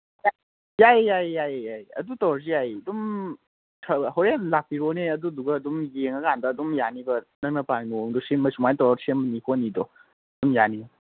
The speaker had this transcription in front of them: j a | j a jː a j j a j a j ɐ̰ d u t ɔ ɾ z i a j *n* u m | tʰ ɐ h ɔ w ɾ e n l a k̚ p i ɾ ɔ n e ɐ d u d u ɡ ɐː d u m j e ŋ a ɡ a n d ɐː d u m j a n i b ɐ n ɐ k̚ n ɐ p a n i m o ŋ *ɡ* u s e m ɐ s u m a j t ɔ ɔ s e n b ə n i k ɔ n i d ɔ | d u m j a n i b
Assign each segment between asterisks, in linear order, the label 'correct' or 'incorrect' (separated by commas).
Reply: incorrect, incorrect